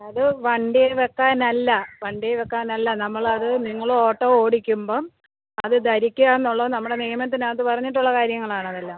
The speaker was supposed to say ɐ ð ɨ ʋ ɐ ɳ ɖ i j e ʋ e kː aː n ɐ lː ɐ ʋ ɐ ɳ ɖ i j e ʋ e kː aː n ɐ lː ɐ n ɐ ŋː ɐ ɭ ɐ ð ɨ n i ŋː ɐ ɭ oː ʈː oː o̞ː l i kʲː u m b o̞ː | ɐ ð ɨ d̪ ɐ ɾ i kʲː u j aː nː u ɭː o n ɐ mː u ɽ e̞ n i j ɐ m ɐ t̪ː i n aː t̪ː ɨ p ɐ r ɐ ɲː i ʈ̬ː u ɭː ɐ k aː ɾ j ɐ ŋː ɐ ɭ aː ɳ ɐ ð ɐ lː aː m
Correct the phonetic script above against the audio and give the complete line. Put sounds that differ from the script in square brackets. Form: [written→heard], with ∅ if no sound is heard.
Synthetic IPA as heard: ɐ ð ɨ ʋ ɐ ɳ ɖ i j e ʋ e kː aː n ɐ lː ɐ ʋ ɐ ɳ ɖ i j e ʋ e kː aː n ɐ lː ɐ n ɐ [ŋː→mː] ɐ ɭ ɐ ð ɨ n i ŋː ɐ ɭ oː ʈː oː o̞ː [l→ɽ] i kʲː u m b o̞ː | ɐ ð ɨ d̪ ɐ ɾ i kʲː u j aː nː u ɭː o n ɐ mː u ɽ e̞ n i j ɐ m ɐ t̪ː i n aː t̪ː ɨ p ɐ r ɐ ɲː i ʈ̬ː u ɭː ɐ k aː ɾ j ɐ ŋː ɐ ɭ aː ɳ ɐ ð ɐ lː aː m